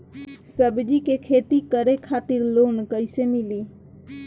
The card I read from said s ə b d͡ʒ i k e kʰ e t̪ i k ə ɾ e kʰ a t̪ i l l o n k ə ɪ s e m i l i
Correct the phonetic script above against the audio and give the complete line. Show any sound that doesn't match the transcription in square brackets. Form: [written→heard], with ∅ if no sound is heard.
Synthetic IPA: s ə b d͡ʒ i k e kʰ e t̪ i k ə ɾ e kʰ a t̪ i [l→ɾ] l o n k ə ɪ s e m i l i

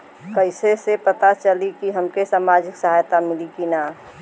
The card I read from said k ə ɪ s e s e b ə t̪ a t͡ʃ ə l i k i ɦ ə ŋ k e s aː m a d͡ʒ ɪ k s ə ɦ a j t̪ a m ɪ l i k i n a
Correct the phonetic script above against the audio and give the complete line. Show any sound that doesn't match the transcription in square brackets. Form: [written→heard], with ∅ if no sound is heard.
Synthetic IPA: k ə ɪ s e s e [b→p] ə t̪ a t͡ʃ ə l i k i ɦ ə [ŋ→m] k e s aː m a d͡ʒ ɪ k s ə ɦ a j t̪ a m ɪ l i k i n a

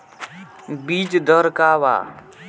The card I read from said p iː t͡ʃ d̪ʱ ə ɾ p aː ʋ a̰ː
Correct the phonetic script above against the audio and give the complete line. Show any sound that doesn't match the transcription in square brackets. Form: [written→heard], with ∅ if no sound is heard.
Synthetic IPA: [p→b] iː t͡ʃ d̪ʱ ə ɾ [p→k] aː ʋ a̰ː

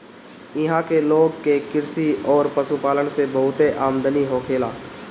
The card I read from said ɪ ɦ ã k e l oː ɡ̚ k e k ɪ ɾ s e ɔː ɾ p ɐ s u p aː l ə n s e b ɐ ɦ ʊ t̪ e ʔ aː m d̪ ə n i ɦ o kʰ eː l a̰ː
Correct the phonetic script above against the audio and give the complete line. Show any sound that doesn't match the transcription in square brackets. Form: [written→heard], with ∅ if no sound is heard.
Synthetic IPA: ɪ ɦ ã k e l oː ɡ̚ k e k ɪ ɾ s [e→i] ɔː ɾ p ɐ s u p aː l ə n s e b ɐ ɦ ʊ t̪ e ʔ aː m d̪ ə n i ɦ o kʰ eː l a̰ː

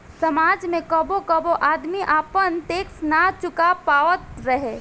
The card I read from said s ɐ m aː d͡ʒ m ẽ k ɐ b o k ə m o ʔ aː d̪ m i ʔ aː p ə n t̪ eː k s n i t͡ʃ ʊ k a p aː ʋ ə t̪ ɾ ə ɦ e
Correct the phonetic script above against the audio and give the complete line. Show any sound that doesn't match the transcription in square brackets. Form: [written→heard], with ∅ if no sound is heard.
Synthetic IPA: s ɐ m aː d͡ʒ m ẽ k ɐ b o k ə [m→b] o ʔ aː d̪ m i ʔ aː p ə n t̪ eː k s n [i→a] t͡ʃ ʊ k a p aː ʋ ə t̪ ɾ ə ɦ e

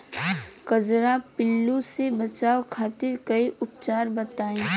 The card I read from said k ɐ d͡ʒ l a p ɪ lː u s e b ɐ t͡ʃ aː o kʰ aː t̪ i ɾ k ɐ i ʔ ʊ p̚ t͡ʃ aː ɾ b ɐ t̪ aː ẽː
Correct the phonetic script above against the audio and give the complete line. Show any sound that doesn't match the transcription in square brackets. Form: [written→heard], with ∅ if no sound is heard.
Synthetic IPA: k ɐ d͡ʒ [l→ɾ] a p ɪ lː u s e b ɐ t͡ʃ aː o kʰ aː t̪ [i→ɪ] ɾ k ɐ i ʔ ʊ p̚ t͡ʃ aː ɾ b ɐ t̪ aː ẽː

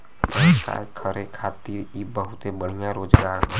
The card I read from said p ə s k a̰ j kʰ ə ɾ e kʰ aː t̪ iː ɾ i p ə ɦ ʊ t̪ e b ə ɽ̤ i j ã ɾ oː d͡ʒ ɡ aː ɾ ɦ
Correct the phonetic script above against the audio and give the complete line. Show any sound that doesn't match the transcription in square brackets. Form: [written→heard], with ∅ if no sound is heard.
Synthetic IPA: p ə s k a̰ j kʰ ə ɾ e kʰ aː t̪ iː ɾ i [p→b] ə ɦ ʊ t̪ e b ə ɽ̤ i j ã ɾ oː d͡ʒ ɡ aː ɾ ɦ

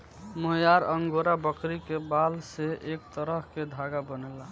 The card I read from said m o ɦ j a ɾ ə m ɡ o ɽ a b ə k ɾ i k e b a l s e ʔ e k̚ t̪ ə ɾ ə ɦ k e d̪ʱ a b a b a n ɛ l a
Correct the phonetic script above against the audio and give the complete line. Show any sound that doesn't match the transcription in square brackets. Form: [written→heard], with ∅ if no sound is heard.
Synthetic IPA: m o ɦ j a ɾ ə [m→ŋ] ɡ o [ɽ→ɾ] a b ə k ɾ i k e b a l s e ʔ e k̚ t̪ ə ɾ ə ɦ k e d̪ʱ a [b→ɡ] a b [a→ə] n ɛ l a

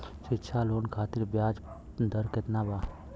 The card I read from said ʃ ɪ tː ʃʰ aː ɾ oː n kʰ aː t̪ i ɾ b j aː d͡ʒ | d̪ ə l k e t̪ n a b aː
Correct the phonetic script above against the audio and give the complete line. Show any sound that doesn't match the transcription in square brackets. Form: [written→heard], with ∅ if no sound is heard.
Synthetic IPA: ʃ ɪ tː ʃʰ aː [ɾ→l] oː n kʰ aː t̪ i ɾ b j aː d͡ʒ | d̪ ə [l→ɾ] k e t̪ n a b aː

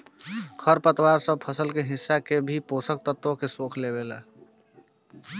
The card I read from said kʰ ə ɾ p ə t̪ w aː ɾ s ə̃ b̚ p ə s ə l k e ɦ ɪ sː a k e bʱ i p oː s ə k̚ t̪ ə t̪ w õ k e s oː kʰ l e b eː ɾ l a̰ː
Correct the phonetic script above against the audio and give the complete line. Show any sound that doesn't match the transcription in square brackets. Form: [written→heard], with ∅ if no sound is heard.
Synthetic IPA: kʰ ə ɾ p ə t̪ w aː ɾ s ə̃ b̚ [p→pʰ] ə s ə l k e ɦ ɪ sː a k e bʱ i p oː s ə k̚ t̪ ə t̪ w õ k e s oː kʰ l e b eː [ɾ→∅] l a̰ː

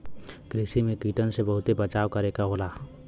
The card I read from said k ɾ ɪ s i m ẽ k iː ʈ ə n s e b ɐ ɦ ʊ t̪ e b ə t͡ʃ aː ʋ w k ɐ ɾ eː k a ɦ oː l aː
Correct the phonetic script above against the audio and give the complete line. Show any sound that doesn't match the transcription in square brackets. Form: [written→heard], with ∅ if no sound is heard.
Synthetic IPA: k ɾ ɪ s i m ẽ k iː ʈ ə n s e b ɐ ɦ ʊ t̪ e b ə t͡ʃ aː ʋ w k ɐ ɾ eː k a ɦ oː l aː

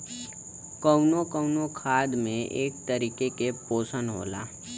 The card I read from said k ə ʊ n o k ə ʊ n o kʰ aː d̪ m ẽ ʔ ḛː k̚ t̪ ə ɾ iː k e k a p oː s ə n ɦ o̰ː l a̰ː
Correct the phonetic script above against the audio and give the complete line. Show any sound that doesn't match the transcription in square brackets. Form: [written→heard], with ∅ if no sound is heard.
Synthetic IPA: k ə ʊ n o k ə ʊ n o kʰ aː d̪ m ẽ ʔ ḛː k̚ t̪ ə ɾ iː k e k [a→e] p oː s ə n ɦ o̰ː l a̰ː

